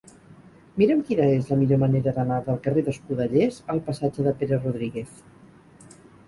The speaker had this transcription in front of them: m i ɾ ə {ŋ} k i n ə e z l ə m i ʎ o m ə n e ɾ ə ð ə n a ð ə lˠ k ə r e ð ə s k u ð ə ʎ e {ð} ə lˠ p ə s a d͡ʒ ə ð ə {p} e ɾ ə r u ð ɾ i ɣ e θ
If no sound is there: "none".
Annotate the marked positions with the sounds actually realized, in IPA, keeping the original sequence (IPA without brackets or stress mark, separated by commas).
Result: m, z, p